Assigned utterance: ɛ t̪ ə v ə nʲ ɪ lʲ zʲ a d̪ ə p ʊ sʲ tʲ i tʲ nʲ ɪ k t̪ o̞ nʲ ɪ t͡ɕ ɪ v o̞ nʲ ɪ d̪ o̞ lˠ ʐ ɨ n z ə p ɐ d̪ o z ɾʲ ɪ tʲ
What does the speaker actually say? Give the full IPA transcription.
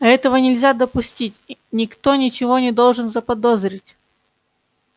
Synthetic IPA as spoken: ɛ t̪ ə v ə nʲ ɪ lʲ zʲ a d̪ ə p ʊ sʲ tʲ i tʲ nʲ ɪ k t̪ o̞ nʲ ɪ t͡ɕ ɪ v o̞ nʲ ɪ d̪ o̞ lˠ ʐ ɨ n z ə p ɐ d̪ o z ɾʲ ɪ tʲ